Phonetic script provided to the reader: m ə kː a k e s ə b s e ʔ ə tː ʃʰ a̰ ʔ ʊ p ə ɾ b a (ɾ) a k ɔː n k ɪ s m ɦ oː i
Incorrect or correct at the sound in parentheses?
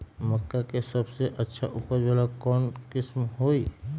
incorrect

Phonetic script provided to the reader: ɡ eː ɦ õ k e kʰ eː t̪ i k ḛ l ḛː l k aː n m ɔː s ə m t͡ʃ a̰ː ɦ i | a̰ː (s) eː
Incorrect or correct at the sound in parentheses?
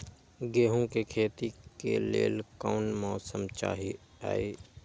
incorrect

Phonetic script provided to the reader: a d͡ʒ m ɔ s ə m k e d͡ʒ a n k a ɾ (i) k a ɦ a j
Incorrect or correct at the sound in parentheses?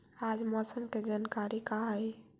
correct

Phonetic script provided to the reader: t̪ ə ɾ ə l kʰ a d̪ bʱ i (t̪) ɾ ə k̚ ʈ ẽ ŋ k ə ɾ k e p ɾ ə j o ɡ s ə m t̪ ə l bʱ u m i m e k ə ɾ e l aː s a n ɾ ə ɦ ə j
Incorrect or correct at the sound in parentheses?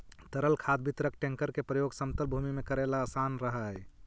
correct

